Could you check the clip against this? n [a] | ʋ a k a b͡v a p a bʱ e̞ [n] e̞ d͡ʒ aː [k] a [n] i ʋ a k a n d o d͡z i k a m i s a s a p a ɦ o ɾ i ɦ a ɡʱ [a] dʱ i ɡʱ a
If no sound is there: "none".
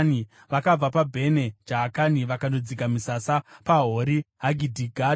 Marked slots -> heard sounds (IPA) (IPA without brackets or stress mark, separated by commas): i, n, k, n, i